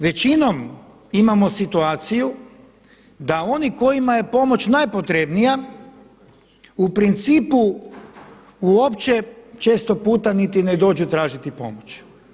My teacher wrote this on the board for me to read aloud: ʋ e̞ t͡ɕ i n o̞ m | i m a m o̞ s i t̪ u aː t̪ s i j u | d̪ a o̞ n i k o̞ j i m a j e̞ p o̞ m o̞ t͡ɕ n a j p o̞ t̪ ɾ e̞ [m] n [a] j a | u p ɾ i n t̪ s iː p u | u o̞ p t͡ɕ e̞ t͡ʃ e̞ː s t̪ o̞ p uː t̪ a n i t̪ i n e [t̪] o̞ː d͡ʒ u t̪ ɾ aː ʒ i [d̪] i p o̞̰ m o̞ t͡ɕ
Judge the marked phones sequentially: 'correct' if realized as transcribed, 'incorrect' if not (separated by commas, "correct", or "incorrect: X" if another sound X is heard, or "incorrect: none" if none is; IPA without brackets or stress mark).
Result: incorrect: b, incorrect: i, incorrect: d̪, incorrect: t̪